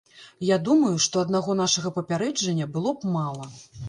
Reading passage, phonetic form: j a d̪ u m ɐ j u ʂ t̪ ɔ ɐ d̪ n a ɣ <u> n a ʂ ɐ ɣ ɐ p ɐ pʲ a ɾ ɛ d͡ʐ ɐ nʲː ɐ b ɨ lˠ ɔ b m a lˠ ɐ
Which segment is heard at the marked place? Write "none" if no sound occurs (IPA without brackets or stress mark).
ɔ